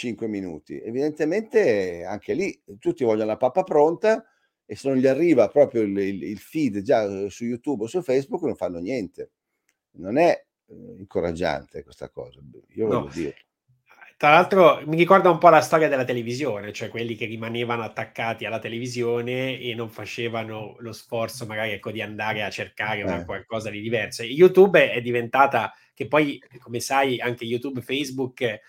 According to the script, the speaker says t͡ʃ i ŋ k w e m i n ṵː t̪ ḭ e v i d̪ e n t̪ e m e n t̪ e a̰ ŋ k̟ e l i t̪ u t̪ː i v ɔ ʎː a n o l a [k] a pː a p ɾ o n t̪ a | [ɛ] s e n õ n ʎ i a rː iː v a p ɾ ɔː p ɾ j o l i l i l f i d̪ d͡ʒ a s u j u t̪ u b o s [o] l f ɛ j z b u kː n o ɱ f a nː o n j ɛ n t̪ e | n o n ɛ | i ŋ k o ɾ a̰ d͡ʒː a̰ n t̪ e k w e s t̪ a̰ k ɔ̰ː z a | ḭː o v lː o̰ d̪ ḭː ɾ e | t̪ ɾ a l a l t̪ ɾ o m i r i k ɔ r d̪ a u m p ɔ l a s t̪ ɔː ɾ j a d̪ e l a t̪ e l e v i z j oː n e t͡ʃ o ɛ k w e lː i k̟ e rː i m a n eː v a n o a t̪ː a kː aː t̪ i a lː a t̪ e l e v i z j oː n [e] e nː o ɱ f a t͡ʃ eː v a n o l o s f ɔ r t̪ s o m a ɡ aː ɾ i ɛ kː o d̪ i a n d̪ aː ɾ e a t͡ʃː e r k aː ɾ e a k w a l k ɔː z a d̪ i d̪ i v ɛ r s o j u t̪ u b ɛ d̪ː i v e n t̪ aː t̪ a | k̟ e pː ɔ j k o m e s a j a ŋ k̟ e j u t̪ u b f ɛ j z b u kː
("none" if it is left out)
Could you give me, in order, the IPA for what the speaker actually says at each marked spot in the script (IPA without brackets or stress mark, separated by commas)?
p, e, u, e